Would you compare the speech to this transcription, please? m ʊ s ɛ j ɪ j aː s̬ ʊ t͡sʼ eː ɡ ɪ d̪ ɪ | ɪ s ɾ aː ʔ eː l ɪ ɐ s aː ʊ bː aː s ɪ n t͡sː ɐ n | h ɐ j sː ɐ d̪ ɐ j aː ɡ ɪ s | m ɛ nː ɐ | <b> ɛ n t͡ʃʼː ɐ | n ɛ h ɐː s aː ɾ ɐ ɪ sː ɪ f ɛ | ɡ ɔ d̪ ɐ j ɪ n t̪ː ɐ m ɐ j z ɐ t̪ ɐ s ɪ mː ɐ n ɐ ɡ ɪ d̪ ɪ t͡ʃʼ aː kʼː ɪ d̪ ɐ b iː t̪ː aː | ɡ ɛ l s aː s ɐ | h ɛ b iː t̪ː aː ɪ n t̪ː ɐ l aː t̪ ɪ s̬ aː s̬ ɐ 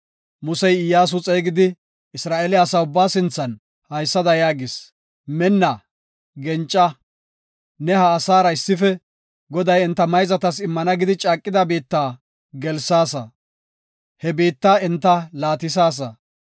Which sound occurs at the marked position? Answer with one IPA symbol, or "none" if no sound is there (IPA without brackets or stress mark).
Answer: ɡ